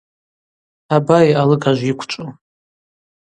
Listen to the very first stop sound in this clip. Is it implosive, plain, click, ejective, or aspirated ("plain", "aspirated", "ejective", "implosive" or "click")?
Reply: plain